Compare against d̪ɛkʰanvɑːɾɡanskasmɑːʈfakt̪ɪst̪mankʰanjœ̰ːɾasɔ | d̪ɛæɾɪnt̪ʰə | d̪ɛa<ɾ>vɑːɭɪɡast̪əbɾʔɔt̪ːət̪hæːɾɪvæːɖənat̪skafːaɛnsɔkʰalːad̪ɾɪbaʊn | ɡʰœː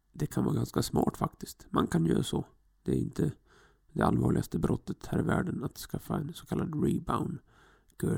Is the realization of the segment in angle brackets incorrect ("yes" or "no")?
yes